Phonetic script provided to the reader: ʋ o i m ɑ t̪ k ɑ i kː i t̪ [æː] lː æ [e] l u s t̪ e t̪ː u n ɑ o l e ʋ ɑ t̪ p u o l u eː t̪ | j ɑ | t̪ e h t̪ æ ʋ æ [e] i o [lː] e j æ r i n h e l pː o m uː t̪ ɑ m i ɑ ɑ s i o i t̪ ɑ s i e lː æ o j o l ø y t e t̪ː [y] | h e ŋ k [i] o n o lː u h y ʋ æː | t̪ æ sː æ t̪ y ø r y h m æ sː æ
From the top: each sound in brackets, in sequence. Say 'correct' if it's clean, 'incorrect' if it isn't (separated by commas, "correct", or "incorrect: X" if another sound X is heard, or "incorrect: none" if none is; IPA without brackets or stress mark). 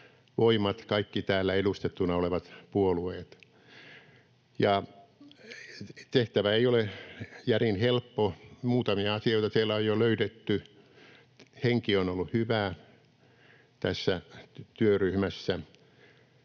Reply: correct, correct, correct, incorrect: l, correct, correct